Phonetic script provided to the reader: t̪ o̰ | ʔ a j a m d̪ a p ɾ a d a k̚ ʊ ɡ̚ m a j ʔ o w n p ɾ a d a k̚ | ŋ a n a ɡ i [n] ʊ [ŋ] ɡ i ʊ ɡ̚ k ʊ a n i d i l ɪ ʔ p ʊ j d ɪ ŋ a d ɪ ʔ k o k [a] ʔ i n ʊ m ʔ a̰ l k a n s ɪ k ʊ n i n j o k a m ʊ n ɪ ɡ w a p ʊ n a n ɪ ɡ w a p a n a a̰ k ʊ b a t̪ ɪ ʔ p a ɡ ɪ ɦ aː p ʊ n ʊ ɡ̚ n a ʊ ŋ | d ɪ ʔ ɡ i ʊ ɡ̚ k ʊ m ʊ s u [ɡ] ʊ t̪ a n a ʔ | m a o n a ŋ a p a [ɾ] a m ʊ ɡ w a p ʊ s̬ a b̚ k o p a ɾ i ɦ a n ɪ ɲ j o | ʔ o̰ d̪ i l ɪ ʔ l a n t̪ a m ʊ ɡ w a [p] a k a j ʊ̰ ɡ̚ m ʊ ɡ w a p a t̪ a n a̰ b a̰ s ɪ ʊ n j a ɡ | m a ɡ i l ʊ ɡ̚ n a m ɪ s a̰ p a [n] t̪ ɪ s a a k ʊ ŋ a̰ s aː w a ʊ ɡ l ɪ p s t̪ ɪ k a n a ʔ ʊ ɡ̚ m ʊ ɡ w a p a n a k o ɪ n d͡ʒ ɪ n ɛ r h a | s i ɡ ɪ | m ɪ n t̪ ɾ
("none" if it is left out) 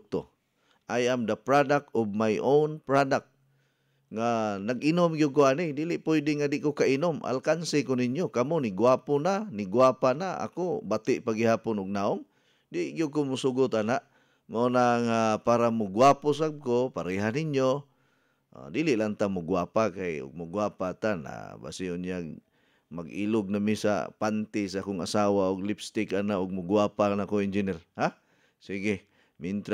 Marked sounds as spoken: n, m, a, ɡ, ɾ, p, n

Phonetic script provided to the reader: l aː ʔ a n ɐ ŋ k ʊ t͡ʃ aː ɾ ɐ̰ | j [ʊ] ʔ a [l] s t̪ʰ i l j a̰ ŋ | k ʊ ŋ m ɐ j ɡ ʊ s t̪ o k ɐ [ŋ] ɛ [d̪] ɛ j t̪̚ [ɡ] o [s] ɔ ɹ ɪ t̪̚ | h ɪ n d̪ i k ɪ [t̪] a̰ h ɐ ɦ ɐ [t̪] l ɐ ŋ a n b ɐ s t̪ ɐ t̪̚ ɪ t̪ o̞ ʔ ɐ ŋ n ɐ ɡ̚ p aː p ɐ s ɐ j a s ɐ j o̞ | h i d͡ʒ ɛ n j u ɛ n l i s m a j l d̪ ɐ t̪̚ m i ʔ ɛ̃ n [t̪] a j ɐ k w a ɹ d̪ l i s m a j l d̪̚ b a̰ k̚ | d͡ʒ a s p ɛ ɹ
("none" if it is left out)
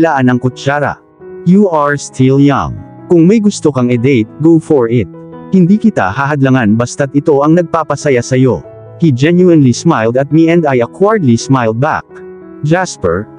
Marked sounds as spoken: u, ɹ, ŋ, d̪, ɡ, f, t̪, d̪, d̪

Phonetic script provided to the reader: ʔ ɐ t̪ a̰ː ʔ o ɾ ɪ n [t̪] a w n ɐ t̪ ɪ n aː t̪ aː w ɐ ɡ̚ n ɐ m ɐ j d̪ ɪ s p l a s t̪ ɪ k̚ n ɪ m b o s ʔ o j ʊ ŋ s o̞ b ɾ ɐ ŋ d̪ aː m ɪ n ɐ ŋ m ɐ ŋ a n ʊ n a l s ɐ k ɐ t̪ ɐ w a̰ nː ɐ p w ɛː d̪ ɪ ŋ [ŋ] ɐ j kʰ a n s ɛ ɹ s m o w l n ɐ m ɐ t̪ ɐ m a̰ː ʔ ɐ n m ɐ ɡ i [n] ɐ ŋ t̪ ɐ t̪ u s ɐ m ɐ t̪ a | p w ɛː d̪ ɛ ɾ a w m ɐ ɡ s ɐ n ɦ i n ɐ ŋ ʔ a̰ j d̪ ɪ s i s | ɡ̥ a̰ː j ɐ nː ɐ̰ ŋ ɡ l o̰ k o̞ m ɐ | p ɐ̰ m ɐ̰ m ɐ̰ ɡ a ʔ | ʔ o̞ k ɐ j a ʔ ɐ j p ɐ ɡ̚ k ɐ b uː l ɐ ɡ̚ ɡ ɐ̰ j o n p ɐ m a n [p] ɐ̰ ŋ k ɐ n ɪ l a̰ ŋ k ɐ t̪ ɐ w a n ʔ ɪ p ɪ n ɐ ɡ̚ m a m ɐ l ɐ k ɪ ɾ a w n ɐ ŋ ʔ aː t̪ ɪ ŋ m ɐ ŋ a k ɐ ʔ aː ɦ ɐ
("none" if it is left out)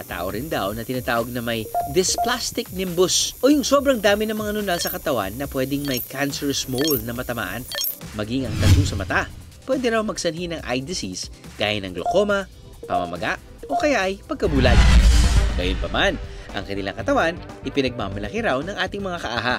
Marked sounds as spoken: d̪, m, ŋ, ʔ

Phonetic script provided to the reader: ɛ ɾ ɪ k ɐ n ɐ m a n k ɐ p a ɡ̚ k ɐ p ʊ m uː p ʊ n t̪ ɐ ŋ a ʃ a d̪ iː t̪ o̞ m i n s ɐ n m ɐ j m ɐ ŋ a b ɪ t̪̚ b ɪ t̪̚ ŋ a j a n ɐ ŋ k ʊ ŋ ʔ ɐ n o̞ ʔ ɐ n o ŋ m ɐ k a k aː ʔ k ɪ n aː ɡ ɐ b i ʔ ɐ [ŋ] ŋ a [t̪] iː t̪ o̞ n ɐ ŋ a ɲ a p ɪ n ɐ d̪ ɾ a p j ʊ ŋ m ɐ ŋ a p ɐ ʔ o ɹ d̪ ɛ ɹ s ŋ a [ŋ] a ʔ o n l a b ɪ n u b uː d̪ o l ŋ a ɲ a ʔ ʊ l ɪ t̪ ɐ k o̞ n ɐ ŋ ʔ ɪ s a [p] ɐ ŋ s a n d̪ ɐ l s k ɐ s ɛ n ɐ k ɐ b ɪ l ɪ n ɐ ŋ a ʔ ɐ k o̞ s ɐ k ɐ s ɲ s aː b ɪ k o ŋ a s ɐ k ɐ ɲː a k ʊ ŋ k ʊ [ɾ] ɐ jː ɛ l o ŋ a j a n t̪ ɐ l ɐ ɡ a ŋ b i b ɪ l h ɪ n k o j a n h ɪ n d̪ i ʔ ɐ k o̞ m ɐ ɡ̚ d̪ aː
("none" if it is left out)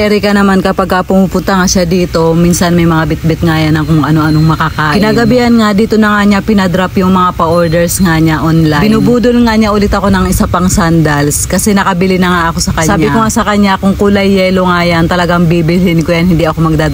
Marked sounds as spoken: n, d̪, ɲ, p, l

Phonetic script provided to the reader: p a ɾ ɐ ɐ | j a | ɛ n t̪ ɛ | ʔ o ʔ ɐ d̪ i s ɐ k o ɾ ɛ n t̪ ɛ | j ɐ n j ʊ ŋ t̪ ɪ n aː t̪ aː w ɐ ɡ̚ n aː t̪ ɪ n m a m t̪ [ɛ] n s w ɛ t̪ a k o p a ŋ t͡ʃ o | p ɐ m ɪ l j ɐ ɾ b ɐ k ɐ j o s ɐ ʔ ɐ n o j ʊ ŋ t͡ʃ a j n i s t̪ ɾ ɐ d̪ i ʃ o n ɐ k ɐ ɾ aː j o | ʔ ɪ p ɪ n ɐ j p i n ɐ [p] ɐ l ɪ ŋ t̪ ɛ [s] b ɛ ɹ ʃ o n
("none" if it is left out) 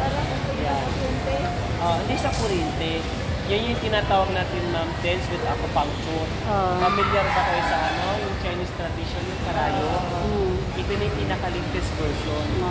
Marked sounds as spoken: ɛ, k, s

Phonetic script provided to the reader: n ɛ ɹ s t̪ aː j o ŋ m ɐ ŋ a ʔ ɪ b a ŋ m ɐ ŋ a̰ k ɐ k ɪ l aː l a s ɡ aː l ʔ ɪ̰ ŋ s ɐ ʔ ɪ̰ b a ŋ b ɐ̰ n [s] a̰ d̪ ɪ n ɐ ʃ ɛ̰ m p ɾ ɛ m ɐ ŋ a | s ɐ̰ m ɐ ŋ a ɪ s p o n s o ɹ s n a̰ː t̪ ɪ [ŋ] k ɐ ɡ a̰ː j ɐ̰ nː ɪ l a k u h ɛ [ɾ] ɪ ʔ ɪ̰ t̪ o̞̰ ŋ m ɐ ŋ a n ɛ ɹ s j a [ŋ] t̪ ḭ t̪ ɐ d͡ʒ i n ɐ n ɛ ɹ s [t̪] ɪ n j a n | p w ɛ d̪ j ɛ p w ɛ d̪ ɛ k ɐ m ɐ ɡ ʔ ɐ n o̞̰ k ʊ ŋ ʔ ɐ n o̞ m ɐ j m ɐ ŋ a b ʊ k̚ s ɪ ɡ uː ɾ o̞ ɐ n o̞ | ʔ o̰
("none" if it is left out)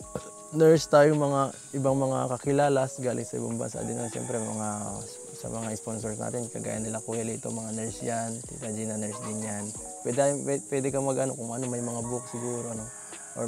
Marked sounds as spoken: s, n, l, n, d̪

